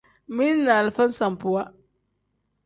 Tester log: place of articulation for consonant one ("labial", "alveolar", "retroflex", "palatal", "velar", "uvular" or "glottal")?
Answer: labial